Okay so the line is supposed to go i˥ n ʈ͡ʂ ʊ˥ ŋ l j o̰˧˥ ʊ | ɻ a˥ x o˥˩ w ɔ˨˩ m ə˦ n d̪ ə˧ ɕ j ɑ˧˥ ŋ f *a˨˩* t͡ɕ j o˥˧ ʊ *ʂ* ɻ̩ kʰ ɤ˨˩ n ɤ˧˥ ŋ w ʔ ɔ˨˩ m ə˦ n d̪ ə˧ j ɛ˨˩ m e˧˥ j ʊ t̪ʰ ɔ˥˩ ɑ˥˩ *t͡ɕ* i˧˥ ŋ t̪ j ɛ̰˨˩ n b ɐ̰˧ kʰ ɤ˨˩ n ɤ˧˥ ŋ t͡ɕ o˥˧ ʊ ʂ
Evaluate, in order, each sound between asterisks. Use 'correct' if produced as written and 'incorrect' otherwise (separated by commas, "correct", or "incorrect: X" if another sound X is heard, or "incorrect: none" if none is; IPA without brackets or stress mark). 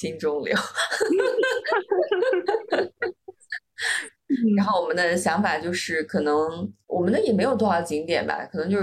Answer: correct, correct, correct